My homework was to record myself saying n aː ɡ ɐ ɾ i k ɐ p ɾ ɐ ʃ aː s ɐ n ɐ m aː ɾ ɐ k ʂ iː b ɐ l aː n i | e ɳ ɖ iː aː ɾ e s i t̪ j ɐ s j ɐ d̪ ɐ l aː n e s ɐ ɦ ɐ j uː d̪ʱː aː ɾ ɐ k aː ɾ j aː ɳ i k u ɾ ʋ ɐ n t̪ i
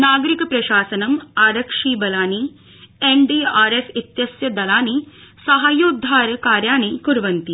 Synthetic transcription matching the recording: n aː ɡ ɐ ɾ i k ɐ p ɾ ɐ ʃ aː s ɐ n ɐ m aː ɾ ɐ k ʂ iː b ɐ l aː n i | e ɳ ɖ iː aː ɾ e s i t̪ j ɐ s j ɐ d̪ ɐ l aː n i s ɐ ɦ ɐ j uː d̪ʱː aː ɾ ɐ k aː ɾ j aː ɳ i k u ɾ ʋ ɐ n t̪ i

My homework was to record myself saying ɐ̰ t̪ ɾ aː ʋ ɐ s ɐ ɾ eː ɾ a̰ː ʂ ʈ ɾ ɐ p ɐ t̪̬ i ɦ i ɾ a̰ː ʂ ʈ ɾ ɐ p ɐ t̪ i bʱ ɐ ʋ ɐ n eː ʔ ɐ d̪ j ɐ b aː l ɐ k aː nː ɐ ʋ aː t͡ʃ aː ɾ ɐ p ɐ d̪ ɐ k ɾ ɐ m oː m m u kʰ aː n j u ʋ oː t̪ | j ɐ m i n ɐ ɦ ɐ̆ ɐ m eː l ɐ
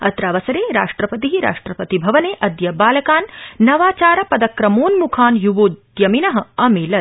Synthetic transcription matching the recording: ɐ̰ t̪ ɾ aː ʋ ɐ s ɐ ɾ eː ɾ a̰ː ʂ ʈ ɾ ɐ p ɐ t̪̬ i ɦ i ɾ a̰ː ʂ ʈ ɾ ɐ p ɐ t̪ i bʱ ɐ ʋ ɐ n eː ʔ ɐ d̪ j ɐ b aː l ɐ k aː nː ɐ ʋ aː t͡ʃ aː ɾ ɐ p ɐ d̪ ɐ k ɾ ɐ m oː n m u kʰ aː n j u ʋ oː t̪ | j ɐ m i n ɐ ɦ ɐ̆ ɐ m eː l ɐ

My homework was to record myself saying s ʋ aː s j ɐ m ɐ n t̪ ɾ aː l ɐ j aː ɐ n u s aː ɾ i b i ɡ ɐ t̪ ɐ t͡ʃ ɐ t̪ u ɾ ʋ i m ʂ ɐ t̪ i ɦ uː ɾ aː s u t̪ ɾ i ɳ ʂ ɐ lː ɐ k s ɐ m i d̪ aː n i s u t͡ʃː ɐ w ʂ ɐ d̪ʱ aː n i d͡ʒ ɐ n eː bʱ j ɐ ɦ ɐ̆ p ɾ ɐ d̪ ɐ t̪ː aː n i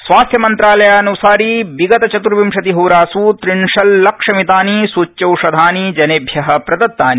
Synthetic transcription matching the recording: s ʋ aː s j ɐ m ɐ n t̪ ɾ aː l ɐ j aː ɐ n u s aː ɾ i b i ɡ ɐ t̪ ɐ t͡ʃ ɐ t̪ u ɾ ʋ i m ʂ ɐ t̪ i ɦ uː ɾ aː s u t̪ ɾ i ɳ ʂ ɐ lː ɐ k ʂ ɐ m i t̪ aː n i s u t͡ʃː ɐ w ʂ ɐ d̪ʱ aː n i d͡ʒ ɐ n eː bʱ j ɐ ɦ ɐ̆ p ɾ ɐ d̪ ɐ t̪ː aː n i

